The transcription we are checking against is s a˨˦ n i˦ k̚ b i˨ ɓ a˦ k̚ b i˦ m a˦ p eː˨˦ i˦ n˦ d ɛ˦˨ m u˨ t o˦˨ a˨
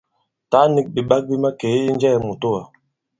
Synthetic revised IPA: t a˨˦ n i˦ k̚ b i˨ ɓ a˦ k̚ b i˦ m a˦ k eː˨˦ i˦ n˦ d͡ʒ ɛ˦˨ m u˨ t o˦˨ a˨